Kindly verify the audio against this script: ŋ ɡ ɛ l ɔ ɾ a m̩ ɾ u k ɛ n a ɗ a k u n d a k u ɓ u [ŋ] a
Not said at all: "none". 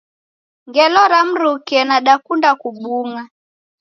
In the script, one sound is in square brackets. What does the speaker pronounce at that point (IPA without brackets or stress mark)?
ŋ